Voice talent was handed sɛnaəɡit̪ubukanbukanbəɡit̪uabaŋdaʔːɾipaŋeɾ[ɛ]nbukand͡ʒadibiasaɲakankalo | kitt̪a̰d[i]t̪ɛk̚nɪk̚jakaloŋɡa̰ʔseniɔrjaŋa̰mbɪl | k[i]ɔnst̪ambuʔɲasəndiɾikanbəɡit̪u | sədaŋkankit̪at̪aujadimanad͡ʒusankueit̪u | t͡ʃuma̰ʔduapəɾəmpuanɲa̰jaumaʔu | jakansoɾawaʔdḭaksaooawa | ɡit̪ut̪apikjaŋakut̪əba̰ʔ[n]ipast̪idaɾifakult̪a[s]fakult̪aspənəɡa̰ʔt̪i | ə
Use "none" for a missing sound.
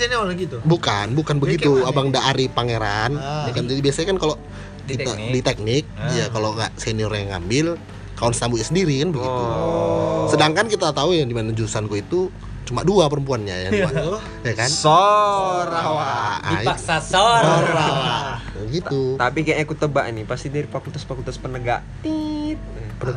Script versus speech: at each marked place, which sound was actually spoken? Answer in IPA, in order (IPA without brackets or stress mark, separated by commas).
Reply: a, i, a, n, s